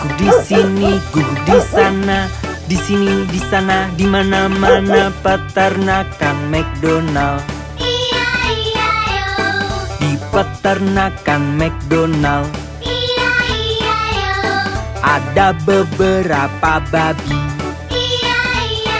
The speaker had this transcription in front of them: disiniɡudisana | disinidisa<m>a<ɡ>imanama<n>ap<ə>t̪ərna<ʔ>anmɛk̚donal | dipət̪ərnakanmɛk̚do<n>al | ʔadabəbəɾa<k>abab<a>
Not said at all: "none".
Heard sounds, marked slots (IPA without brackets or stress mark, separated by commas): n, d, n, ə, k, n, p, i